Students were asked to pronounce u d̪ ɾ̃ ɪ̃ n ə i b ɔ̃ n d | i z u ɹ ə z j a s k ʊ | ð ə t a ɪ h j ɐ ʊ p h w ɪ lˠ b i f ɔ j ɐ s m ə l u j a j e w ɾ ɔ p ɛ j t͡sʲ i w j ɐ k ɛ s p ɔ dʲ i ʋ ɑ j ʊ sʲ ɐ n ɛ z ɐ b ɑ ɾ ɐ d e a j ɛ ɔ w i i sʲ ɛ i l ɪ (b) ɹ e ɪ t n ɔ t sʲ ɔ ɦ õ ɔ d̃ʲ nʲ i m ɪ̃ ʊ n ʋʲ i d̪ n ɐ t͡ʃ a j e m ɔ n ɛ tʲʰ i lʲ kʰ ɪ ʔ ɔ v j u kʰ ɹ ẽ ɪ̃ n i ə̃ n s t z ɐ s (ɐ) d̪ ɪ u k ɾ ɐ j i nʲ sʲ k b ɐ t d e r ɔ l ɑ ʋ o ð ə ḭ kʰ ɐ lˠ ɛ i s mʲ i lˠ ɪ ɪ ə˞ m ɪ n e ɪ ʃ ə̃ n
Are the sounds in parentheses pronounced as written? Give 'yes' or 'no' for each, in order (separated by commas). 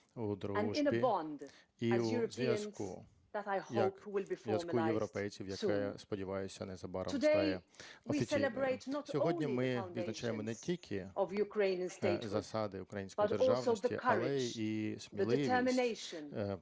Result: yes, no